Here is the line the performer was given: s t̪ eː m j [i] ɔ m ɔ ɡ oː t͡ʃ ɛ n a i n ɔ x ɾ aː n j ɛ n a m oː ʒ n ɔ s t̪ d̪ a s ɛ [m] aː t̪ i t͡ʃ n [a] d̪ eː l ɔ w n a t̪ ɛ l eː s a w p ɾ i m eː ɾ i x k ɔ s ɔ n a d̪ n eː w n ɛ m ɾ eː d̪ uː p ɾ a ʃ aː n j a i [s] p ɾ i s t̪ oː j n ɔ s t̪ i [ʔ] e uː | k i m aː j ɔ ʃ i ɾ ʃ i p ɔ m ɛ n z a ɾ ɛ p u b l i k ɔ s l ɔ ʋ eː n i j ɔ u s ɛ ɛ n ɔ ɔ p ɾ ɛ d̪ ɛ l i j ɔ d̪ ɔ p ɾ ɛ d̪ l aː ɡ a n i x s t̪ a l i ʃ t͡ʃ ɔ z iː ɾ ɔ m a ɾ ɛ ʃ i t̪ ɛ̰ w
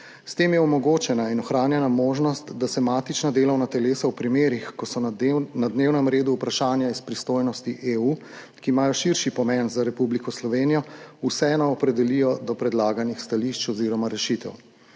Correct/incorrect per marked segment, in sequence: incorrect: ɛ, correct, correct, correct, correct

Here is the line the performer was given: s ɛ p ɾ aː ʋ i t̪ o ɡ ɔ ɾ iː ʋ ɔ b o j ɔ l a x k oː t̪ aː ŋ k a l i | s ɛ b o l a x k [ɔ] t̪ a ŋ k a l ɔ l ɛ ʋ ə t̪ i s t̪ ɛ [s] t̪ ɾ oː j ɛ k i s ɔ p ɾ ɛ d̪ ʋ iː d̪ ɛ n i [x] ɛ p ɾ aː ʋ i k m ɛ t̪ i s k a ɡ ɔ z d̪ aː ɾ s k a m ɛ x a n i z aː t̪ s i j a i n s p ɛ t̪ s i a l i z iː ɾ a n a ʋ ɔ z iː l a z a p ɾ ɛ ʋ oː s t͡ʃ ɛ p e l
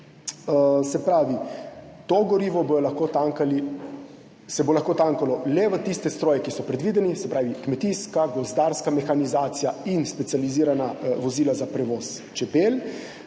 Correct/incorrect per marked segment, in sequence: incorrect: o, correct, incorrect: s

